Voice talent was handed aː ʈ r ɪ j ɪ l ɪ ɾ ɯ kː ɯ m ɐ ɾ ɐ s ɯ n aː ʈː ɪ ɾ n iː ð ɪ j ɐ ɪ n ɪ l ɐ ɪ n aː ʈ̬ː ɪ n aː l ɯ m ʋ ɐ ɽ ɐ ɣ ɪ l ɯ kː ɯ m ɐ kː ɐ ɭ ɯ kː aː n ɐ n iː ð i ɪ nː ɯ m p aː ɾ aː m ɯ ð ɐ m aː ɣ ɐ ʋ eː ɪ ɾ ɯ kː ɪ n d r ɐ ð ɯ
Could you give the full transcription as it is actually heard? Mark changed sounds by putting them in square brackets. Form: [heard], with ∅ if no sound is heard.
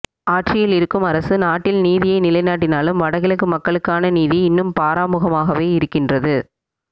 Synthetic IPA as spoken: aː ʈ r ɪ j ɪ l ɪ ɾ ɯ kː ɯ m ɐ ɾ ɐ s ɯ n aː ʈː ɪ [l] n iː ð ɪ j ɐ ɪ n ɪ l ɐ ɪ n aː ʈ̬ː ɪ n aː l ɯ m ʋ ɐ ɽ ɐ ɣ ɪ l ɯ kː ɯ m ɐ kː ɐ ɭ ɯ kː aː n ɐ n iː ð i ɪ nː ɯ m p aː ɾ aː m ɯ [ɣ] ɐ m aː ɣ ɐ ʋ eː ɪ ɾ ɯ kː ɪ n d r ɐ ð ɯ